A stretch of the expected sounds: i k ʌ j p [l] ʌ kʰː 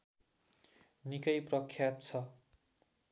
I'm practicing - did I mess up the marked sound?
yes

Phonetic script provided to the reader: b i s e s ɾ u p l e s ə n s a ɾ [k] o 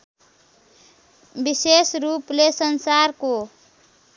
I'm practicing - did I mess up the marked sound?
no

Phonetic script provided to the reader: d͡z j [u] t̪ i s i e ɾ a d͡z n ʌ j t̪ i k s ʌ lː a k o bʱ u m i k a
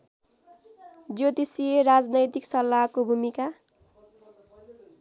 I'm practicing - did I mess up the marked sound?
yes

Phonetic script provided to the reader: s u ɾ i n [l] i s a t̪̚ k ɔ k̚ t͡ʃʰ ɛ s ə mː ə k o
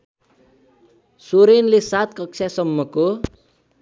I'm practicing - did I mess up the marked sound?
no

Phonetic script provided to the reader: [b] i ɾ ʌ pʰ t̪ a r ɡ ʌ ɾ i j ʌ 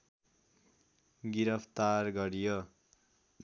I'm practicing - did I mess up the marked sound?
yes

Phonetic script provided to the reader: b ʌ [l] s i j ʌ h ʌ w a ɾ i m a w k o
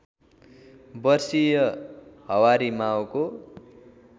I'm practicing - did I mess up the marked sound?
yes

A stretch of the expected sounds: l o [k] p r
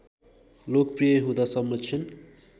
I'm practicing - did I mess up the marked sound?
no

